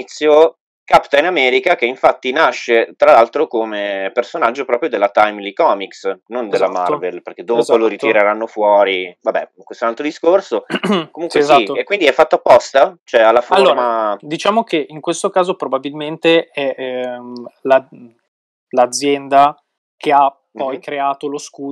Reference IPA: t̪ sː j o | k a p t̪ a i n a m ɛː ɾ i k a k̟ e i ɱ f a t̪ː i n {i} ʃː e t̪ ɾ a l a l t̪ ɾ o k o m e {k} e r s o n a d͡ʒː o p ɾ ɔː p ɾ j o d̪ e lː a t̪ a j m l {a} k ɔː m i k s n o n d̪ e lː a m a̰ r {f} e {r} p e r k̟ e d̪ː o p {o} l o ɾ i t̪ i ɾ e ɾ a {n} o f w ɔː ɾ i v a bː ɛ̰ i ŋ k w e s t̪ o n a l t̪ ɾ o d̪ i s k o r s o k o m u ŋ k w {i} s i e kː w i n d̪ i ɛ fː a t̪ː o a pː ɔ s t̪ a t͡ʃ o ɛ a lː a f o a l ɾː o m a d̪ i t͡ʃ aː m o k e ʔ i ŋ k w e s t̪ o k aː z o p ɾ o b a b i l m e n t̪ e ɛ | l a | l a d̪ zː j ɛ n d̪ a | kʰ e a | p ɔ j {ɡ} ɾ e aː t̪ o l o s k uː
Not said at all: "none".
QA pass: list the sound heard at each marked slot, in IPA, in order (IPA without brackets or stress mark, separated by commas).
a, p, i, v, l, o, nː, e, k